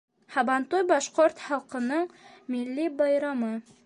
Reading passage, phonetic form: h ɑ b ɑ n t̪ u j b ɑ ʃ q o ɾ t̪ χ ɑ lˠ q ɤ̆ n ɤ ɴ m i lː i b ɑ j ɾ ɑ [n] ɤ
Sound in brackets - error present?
yes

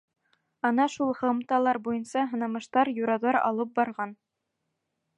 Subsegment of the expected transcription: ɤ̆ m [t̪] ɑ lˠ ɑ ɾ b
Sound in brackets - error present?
no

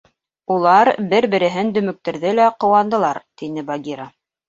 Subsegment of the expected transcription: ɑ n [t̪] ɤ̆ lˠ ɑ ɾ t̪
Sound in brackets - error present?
yes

